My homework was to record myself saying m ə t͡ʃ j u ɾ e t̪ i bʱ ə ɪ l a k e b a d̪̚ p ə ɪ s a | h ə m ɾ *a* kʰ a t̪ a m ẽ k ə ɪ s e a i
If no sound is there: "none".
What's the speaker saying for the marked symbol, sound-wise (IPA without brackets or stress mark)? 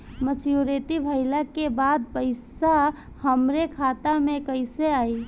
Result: e